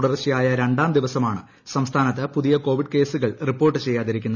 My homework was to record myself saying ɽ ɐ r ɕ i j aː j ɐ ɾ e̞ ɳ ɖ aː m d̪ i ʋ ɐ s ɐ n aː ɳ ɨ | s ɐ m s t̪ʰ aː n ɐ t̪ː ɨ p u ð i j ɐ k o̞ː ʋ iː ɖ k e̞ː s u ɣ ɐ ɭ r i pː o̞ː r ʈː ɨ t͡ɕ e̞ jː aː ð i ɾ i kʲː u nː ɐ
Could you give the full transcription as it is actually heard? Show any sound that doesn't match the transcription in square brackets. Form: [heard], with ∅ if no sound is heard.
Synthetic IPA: ɽ ɐ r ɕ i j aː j ɐ ɾ e̞ ɳ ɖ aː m d̪ i ʋ ɐ s ɐ [m] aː ɳ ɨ | s ɐ m s t̪ʰ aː n ɐ t̪ː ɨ p u ð i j ɐ k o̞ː ʋ [i] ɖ k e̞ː s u ɣ ɐ ɭ r i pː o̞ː r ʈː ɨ t͡ɕ e̞ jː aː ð i ɾ i kʲː u nː ɐ